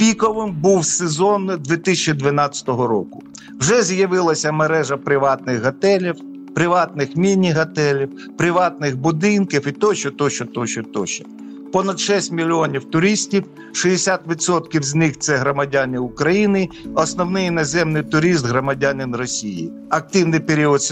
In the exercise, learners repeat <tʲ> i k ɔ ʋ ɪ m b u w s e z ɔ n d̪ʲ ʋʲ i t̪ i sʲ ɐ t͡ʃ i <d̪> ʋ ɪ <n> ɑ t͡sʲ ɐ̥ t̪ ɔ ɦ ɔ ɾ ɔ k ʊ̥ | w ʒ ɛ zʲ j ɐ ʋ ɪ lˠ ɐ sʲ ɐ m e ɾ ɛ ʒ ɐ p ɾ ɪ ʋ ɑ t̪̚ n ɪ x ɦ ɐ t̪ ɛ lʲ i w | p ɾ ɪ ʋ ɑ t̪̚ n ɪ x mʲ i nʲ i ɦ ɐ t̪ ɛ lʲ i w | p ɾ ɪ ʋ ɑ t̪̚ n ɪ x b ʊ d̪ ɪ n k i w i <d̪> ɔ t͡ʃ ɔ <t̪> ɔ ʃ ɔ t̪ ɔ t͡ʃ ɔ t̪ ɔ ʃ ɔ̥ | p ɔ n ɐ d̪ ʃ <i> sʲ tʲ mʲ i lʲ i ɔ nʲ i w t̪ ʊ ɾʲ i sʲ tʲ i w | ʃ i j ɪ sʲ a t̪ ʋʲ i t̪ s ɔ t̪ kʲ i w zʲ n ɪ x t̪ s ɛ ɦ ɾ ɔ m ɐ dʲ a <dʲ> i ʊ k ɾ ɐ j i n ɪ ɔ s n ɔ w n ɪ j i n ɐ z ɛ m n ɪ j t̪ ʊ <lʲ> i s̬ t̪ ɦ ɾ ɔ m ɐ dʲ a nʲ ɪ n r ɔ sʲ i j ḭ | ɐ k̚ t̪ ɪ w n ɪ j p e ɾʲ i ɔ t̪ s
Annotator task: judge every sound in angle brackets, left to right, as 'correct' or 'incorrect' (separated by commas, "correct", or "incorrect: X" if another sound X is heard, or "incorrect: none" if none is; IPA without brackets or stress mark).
incorrect: pʲ, correct, correct, incorrect: t̪, correct, incorrect: ɛ, incorrect: nʲ, incorrect: ɾʲ